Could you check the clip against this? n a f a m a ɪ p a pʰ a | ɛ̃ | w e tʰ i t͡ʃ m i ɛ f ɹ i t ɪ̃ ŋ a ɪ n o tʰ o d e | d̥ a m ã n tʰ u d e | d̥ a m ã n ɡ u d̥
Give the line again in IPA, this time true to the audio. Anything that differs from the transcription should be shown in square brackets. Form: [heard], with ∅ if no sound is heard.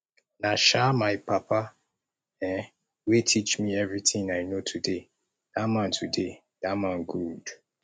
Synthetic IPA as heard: n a [ʃ] a m a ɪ p a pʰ a | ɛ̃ | w e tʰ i t͡ʃ m i ɛ [v] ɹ i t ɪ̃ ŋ a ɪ n o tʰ [u] d e | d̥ a m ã n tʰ u d e | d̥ a m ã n ɡ u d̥